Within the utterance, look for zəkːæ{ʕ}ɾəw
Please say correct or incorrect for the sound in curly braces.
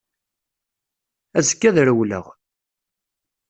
incorrect